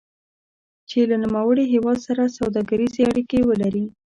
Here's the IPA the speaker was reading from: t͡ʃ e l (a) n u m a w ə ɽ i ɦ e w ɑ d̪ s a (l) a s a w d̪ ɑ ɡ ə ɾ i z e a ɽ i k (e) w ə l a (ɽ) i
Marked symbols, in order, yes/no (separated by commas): yes, no, yes, no